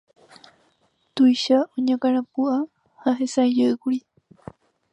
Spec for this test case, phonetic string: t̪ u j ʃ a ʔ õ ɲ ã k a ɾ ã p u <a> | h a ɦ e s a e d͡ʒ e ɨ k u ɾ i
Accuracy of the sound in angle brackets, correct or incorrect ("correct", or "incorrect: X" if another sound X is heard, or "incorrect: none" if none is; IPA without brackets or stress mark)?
correct